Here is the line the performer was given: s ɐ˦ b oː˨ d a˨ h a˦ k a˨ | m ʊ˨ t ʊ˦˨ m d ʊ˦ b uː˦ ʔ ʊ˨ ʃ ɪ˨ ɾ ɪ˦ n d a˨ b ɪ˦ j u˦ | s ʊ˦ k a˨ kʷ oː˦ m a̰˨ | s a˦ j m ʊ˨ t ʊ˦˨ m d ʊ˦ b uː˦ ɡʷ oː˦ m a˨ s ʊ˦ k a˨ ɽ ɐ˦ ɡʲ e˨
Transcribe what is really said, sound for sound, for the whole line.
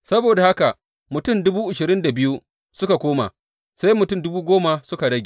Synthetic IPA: s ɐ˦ b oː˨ d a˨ h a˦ k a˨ | m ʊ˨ t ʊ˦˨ m d ʊ˦ b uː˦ ʔ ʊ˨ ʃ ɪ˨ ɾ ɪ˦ n d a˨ b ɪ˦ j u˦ | s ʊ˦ k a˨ kʷ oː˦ m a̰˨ | s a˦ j m ʊ˨ t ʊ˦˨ m d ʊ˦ b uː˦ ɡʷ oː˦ m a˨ s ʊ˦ k a˨ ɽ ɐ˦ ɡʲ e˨